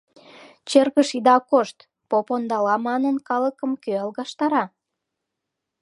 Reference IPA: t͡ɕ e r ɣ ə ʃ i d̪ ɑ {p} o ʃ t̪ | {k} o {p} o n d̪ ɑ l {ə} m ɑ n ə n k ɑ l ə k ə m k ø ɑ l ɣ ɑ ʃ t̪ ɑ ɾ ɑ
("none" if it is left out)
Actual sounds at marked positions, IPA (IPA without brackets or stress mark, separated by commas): k, p, p, ɑ